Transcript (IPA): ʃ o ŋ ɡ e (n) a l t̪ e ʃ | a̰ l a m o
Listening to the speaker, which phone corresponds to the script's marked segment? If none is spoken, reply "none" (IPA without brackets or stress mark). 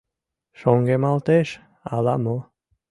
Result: m